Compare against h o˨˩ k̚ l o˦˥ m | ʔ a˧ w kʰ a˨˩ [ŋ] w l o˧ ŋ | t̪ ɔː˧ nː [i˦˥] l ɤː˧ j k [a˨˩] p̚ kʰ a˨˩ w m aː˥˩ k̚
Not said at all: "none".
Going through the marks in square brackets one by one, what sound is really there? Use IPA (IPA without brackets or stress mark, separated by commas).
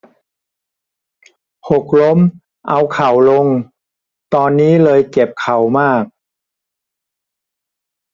none, iː˦˥, e˨˩